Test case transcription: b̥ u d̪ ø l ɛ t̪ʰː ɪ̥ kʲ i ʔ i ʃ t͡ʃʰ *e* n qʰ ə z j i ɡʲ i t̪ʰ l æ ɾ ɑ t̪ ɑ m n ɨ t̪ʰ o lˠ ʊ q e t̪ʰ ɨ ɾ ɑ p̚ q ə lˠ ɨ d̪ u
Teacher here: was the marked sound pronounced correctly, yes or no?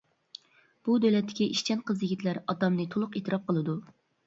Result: no